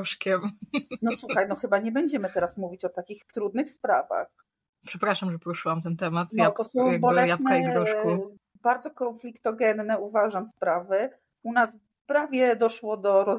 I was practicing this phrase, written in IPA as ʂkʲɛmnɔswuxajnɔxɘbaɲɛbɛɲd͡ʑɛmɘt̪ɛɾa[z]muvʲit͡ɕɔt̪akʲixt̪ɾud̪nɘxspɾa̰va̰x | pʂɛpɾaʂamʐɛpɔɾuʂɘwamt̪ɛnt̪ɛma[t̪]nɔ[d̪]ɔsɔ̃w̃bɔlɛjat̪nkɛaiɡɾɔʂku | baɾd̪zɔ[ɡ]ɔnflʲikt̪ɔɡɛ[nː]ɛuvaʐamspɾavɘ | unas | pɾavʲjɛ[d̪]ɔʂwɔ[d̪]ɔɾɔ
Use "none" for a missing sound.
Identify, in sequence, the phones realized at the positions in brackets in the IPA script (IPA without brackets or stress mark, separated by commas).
s, t̪, t̪, k, nː, d̪, d̪